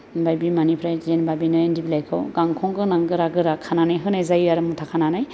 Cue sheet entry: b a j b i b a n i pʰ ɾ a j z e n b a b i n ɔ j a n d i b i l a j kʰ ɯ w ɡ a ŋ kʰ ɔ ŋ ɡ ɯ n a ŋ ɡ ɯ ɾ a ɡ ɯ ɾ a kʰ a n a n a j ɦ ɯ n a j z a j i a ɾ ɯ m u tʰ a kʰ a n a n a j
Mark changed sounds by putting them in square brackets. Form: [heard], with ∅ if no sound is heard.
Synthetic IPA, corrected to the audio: b a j b i [m] a n i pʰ ɾ a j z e n b a b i n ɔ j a n d i b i l a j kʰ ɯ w ɡ a ŋ kʰ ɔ ŋ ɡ ɯ n a ŋ ɡ ɯ ɾ a ɡ ɯ ɾ a kʰ a n a n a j ɦ ɯ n a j z a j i a ɾ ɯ m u tʰ a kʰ a n a n a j